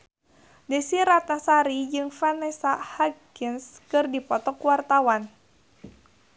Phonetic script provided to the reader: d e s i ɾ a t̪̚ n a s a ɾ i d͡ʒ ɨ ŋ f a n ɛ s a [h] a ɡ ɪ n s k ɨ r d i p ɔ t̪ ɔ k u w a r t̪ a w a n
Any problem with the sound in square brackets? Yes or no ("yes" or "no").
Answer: no